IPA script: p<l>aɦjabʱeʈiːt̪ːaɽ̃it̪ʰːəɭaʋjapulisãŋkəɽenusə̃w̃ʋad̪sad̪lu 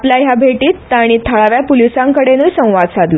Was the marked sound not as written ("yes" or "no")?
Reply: no